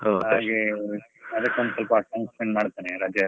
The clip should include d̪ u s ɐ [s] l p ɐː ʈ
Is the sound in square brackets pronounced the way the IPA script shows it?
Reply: no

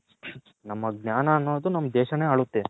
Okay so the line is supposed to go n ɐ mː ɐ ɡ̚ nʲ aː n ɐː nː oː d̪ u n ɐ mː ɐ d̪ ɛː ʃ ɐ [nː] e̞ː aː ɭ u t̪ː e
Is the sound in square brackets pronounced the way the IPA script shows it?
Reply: no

